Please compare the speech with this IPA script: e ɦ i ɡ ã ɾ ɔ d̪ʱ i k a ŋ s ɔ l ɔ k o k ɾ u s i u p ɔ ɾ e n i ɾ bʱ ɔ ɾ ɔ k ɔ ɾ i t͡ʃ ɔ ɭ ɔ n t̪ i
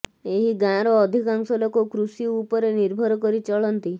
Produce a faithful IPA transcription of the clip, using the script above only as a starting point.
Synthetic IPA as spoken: e ɦ i ɡ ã ɾ ɔː d̪ʱ i k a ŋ s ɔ l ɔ k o k ɾ u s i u p ɔ ɾ e n i ɾ bʱ ɔ ɾ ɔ k ɔ ɾ i t͡ʃ ɔ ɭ ɔ n t̪ i